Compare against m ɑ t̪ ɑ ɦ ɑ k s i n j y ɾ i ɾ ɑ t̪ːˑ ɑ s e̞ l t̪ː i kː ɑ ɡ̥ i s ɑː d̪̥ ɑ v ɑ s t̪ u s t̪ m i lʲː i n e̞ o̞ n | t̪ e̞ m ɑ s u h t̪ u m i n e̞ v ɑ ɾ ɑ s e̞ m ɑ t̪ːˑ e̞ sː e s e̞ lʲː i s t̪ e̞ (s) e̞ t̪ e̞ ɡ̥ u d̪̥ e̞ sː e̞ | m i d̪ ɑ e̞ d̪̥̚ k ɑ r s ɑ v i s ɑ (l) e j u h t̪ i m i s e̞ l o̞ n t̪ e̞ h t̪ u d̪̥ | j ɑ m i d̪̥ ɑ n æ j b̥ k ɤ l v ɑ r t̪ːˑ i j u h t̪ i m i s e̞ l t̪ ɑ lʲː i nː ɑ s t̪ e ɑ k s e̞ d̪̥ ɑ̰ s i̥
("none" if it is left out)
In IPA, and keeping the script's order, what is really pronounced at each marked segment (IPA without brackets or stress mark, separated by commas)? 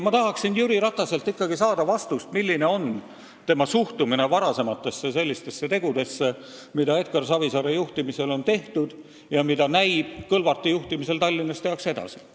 sː, ɾ